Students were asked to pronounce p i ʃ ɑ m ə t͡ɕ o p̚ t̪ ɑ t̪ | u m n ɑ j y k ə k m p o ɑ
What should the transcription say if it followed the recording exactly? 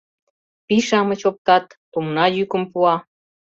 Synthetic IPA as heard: p i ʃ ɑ m ə t͡ɕ o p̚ t̪ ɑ t̪ | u m n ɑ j y k ə m p u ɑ